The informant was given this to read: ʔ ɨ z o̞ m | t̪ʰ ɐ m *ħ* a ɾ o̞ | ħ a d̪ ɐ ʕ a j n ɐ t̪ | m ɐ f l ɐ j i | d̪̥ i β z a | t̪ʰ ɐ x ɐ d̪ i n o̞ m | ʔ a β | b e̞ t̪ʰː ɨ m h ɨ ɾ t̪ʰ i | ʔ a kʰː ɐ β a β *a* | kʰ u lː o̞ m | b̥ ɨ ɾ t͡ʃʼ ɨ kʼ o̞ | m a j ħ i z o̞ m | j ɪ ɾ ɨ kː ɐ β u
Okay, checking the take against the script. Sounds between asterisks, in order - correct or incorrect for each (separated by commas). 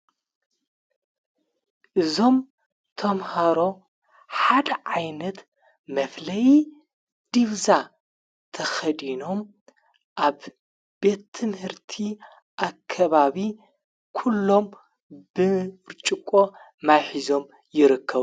incorrect, incorrect